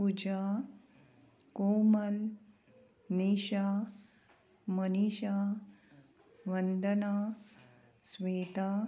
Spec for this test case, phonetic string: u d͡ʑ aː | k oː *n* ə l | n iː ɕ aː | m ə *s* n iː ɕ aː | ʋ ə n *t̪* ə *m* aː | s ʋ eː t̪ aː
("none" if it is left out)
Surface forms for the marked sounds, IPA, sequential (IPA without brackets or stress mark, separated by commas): m, none, d̪, n